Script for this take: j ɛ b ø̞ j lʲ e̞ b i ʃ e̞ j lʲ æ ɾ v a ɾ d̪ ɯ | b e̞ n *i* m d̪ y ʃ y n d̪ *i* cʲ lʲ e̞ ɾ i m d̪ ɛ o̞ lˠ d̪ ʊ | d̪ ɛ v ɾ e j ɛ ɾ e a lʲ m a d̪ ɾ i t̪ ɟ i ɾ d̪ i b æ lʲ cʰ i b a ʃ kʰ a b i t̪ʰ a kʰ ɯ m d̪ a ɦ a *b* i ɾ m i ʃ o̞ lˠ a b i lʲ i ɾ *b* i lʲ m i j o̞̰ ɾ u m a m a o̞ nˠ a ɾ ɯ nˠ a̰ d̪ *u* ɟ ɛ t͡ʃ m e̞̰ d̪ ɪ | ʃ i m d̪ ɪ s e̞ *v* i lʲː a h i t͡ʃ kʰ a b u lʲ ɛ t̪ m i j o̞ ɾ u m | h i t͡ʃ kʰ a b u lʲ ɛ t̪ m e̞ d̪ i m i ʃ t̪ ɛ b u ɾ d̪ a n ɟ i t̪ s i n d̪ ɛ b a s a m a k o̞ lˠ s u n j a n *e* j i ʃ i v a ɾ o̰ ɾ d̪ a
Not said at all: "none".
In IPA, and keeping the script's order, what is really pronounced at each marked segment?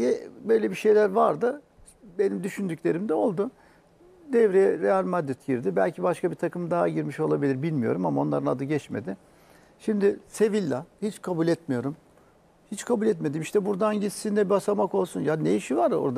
i, y, ɟ, b, ɯ, v, e

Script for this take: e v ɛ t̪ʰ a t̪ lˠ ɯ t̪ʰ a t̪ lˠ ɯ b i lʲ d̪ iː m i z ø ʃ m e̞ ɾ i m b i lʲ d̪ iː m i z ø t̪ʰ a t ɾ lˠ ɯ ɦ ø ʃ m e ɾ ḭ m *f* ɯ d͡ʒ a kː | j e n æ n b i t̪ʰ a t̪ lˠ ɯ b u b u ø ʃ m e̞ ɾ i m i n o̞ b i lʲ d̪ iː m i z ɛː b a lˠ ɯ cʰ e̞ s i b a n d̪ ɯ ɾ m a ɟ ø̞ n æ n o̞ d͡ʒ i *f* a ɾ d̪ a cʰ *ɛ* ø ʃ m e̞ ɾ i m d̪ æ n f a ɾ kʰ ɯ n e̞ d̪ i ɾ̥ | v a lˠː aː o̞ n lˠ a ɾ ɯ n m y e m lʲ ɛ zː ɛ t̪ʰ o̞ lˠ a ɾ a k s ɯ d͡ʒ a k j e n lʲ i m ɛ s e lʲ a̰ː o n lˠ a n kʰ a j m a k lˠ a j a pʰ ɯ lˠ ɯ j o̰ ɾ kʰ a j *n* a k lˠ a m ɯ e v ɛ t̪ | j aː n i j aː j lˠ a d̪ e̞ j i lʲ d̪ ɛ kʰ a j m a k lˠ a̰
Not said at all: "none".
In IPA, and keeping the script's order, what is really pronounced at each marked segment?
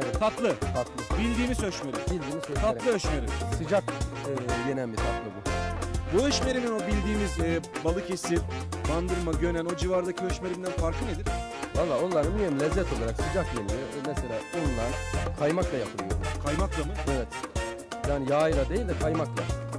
s, v, i, m

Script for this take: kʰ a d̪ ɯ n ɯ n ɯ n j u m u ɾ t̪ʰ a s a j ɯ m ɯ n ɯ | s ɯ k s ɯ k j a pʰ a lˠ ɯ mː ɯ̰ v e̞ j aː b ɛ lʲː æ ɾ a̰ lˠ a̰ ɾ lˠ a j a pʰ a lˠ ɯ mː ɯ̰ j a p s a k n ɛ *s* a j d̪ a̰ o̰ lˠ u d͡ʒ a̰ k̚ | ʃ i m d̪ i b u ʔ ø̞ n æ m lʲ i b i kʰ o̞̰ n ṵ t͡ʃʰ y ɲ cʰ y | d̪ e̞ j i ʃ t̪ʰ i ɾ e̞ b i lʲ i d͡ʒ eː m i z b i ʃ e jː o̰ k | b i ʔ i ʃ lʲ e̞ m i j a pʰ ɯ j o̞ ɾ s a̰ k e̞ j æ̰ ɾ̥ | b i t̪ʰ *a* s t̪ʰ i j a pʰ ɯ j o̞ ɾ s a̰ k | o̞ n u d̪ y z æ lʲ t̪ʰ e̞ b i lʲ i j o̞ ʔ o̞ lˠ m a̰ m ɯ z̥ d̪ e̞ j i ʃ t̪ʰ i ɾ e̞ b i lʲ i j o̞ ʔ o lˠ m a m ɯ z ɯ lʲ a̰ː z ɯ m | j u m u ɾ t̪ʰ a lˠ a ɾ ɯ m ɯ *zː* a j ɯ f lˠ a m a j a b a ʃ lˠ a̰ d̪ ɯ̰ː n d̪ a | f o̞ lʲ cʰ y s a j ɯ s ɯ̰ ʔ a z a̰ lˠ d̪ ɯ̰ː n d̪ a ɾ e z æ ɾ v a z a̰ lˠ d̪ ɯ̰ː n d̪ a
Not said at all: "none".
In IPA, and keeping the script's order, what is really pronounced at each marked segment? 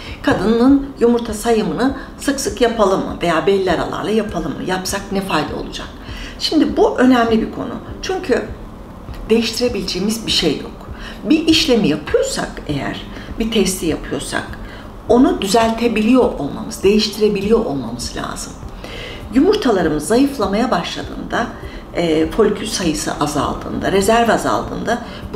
f, ɛ, zː

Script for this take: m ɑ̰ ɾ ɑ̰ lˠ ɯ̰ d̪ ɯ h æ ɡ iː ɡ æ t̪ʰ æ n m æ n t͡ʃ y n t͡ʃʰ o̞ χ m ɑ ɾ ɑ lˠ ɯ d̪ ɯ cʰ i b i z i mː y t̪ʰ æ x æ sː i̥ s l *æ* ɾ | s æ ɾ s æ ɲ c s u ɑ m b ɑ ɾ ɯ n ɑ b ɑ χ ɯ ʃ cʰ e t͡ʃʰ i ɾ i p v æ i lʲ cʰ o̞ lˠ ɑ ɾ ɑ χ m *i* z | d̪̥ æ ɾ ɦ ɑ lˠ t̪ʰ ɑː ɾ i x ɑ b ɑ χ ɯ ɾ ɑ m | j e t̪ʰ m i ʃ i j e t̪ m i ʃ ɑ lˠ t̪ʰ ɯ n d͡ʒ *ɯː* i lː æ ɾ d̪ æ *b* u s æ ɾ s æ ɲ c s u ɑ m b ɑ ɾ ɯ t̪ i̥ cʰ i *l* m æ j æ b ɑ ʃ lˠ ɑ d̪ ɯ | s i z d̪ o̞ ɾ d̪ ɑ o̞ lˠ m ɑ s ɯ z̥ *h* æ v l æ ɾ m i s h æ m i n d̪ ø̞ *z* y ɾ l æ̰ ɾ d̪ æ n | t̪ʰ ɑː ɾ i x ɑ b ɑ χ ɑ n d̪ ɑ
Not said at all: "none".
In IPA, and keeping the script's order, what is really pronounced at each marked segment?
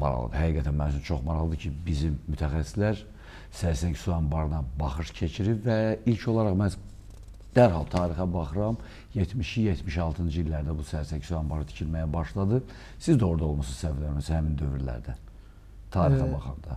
æ, æ, ɯ, b, l, s, v

